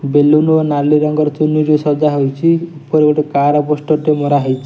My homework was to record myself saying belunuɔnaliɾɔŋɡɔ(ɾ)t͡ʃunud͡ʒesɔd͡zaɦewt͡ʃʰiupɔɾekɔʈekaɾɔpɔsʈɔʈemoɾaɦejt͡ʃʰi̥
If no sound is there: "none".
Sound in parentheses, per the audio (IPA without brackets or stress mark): ɾ